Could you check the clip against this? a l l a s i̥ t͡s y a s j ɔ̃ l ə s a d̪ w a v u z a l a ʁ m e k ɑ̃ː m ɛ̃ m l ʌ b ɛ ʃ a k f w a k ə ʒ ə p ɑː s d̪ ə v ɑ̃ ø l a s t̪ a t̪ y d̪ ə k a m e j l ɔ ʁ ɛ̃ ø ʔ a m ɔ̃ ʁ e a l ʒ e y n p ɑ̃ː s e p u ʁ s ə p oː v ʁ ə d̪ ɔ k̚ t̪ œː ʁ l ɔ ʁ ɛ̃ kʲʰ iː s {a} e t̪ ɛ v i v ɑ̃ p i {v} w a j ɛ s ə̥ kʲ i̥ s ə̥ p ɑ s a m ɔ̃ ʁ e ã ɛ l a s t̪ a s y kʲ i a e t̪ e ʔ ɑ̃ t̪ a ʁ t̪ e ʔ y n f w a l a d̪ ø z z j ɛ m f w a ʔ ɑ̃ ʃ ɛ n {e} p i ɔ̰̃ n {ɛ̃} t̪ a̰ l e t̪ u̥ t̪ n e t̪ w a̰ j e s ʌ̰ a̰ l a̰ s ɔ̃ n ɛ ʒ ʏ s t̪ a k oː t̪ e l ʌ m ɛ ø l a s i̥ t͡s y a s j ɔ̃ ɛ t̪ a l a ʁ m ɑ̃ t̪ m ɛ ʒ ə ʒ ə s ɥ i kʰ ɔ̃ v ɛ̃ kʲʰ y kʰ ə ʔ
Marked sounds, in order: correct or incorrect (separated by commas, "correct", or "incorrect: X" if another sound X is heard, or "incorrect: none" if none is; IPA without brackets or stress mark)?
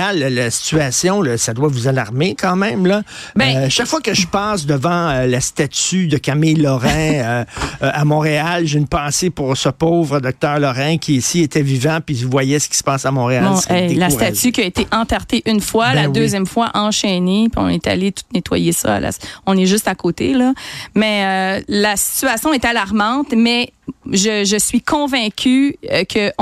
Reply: incorrect: i, correct, correct, incorrect: ɛ